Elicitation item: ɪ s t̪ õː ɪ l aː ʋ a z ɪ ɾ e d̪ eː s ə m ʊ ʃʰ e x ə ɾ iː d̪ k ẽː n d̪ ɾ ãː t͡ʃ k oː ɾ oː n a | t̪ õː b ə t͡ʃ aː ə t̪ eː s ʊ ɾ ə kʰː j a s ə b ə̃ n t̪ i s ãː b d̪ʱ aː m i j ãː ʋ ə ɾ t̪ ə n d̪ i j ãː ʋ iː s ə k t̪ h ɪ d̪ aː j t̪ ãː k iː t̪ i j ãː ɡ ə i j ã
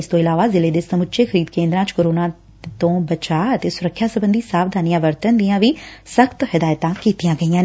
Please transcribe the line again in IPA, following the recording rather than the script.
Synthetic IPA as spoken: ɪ s t̪ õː ɪ l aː ʋ a z ɪ l e d̪ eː s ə m ʊ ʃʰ e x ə ɾ iː d̪ k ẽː n d̪ ɾ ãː t͡ʃ k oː ɾ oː n a | t̪ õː b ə t͡ʃ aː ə t̪ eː s ʊ ɾ ə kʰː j a s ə b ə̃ n d̪ i s aː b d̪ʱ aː n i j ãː ʋ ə ɾ t̪ ə n d̪ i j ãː ʋ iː s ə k t̪ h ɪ d̪ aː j t̪ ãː k iː t̪ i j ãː ɡ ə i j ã